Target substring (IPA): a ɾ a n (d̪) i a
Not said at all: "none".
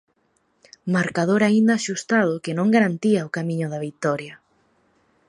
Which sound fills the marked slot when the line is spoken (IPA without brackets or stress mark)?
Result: t̪